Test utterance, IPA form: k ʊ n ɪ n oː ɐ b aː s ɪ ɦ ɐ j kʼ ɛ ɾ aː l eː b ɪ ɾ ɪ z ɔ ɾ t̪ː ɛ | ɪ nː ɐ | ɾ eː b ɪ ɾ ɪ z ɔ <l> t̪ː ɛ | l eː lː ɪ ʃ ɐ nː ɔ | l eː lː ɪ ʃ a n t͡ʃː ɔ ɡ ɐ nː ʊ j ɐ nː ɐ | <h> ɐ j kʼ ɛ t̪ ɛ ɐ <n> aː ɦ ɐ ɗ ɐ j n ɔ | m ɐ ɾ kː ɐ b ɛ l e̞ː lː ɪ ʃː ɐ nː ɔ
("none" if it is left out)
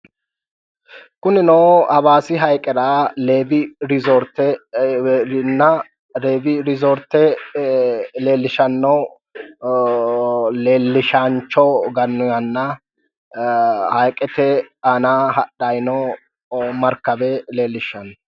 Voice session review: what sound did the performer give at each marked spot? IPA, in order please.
ɾ, h, n

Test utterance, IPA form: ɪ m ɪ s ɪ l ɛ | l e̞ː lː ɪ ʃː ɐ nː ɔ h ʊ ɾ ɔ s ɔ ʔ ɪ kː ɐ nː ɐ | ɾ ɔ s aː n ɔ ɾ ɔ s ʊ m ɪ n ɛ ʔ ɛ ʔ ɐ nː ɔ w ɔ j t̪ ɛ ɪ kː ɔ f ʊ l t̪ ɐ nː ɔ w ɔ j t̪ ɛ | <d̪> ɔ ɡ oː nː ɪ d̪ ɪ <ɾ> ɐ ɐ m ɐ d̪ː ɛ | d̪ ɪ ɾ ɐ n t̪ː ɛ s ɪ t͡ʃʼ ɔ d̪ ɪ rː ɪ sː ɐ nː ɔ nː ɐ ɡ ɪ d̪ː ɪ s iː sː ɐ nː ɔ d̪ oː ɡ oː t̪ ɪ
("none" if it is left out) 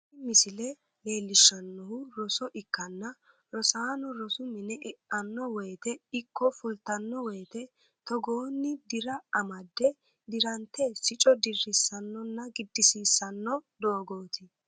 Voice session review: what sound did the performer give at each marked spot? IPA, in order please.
t̪, ɾ

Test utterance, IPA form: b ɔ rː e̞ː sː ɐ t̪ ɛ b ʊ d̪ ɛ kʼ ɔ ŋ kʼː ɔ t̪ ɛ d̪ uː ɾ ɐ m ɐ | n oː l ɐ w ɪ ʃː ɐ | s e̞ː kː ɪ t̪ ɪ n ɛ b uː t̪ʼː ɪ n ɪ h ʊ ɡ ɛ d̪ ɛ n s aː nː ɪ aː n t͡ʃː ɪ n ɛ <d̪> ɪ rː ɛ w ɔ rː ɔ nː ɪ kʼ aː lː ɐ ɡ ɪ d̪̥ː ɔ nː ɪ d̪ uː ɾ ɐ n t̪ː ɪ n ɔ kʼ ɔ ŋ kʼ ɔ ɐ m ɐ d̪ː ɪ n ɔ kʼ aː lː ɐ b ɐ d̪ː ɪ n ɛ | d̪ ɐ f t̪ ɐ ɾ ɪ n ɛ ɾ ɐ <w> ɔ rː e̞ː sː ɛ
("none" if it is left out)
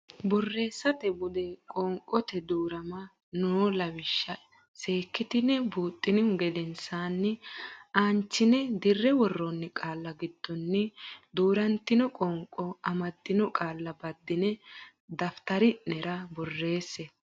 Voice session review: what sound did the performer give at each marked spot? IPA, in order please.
d̪, b

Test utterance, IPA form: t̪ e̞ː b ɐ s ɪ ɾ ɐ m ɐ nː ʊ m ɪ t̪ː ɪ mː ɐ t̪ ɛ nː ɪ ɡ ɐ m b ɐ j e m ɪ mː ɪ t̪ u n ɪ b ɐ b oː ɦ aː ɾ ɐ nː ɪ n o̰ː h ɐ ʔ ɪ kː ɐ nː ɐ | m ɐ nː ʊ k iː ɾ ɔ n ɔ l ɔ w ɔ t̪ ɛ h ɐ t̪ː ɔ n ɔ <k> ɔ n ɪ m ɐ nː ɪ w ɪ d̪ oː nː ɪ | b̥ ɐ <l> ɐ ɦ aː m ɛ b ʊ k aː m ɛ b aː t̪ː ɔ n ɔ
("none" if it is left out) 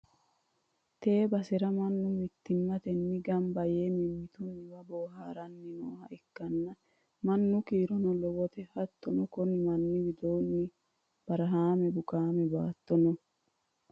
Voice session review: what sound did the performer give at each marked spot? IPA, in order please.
k, ɾ

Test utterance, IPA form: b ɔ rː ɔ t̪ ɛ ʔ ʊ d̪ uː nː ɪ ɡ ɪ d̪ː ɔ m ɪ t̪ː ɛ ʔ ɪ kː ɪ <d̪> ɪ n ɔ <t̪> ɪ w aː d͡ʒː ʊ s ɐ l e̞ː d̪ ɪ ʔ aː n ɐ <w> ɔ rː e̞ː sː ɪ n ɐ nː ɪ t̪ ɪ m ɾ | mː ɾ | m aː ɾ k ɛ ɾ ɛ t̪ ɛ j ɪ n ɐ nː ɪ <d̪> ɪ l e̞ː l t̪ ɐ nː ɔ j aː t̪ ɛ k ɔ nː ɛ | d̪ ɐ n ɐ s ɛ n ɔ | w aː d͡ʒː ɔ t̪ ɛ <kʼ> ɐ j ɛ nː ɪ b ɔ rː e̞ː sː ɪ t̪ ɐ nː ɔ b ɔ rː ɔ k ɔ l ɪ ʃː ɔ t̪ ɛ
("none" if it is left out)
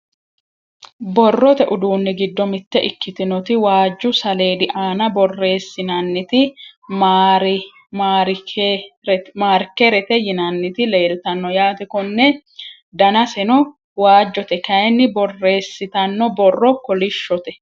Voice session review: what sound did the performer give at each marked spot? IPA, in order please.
t̪, t̪, b, t̪, k

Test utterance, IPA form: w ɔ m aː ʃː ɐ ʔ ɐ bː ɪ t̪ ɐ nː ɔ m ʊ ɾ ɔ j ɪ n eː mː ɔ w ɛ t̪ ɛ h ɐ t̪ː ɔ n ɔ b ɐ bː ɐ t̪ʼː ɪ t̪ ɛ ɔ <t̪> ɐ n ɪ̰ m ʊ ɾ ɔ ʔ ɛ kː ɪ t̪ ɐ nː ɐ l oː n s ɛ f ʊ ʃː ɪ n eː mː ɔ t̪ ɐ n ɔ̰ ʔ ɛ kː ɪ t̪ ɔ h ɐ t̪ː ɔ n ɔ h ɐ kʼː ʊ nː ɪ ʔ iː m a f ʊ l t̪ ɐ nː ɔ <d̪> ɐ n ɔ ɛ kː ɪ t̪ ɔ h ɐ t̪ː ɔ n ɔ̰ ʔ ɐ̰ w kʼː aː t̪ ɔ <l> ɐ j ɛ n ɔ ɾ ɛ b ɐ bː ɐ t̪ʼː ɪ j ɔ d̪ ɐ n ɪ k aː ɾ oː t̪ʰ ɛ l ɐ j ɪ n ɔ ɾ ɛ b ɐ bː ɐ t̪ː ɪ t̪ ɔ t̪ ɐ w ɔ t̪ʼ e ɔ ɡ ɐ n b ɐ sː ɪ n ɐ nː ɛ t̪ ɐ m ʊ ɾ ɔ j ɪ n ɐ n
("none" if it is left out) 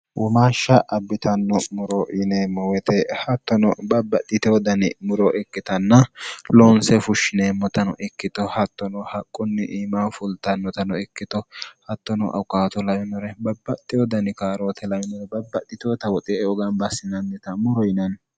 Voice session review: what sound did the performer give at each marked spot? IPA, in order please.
d̪, t̪, l

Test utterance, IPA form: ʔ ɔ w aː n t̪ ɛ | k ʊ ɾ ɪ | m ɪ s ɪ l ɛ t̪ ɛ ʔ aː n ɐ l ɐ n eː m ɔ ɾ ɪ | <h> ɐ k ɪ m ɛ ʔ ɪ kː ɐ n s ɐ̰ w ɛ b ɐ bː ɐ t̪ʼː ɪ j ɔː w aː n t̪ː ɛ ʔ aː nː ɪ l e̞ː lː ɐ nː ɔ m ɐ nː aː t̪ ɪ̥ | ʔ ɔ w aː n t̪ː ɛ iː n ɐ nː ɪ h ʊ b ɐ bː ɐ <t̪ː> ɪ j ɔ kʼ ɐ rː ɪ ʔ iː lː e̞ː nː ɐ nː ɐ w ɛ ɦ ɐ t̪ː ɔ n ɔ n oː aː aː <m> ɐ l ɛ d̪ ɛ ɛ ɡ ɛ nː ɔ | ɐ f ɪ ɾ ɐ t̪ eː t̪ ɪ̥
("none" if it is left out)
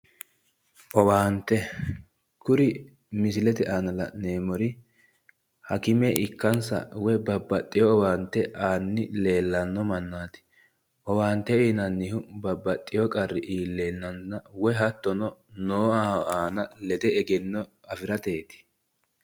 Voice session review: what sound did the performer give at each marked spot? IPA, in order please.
h, t̪ʼː, n

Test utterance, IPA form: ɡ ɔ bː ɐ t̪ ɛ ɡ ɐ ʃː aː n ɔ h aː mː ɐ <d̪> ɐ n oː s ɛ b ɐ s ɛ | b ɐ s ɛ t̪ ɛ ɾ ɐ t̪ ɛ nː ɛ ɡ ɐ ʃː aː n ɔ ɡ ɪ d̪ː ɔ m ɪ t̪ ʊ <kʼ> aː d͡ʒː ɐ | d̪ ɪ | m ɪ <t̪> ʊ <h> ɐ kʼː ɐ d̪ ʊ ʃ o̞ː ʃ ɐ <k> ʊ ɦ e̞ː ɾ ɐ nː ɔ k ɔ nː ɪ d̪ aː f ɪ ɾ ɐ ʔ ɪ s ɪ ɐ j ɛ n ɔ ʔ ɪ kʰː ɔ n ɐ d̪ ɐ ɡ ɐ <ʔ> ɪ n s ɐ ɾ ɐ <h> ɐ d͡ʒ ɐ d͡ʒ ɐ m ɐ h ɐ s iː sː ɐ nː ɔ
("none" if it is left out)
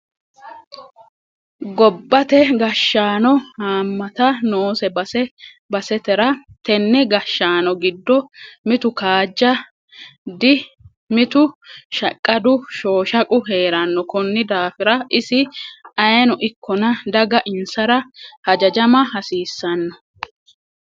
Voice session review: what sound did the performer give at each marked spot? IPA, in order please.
t̪, k, t̪, ʃ, kʼ, ʔ, h

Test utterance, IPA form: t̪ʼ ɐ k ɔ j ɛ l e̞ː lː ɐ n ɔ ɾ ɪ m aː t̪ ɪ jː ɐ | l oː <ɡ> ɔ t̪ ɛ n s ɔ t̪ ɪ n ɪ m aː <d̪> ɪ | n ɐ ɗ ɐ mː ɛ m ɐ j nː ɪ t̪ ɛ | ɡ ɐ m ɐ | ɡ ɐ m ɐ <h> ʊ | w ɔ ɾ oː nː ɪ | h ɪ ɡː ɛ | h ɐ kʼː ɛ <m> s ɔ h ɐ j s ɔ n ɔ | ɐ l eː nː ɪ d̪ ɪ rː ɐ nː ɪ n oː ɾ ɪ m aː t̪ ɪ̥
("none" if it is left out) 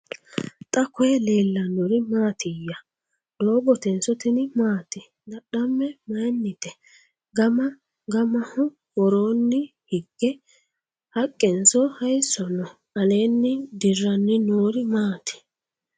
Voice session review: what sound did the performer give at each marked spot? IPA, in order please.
b, t̪, h, n

